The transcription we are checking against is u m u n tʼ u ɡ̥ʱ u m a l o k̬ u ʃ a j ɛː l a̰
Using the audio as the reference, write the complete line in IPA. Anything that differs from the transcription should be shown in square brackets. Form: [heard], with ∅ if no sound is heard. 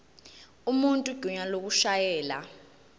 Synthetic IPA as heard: u m u n tʼ u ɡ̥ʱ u [ɲ] a l o k̬ u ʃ a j ɛː l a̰

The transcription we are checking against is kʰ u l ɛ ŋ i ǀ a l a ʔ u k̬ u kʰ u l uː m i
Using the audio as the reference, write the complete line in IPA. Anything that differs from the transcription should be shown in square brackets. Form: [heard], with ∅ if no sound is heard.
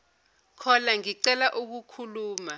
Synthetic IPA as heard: kʰ [ɔ] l [a] ŋ i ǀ [ɛ] l a ʔ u k̬ u kʰ u l uː m [a]

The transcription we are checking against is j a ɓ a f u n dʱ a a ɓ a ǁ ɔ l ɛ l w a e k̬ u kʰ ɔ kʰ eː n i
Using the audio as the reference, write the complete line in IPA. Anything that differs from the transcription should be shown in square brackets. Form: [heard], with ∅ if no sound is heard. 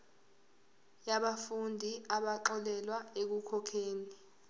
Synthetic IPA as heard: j a ɓ a f u n dʱ [i] a ɓ a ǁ ɔ l ɛ l w a e k̬ u kʰ ɔ kʰ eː n i

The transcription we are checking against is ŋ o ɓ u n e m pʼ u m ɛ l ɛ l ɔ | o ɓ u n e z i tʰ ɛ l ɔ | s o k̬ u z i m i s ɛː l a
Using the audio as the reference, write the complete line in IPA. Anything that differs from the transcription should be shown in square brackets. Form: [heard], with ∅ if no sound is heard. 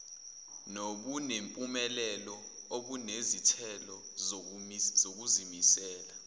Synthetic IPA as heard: [n] o ɓ u n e m pʼ u m ɛ l ɛ l ɔ | o ɓ u n e z i tʰ ɛ l ɔ | [z] o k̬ u z i m i s ɛː l a

